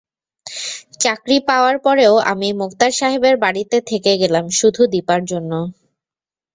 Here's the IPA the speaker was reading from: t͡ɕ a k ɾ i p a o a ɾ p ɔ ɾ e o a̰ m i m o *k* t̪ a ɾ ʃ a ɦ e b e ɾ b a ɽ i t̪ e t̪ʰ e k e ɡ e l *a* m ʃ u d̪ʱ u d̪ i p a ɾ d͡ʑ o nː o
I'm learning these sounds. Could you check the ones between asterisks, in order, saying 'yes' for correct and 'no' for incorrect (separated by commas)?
yes, yes